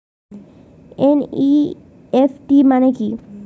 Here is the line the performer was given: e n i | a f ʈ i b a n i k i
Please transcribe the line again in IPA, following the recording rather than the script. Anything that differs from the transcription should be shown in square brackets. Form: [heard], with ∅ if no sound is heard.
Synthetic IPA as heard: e n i | [e] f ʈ i [m] a n [e] k i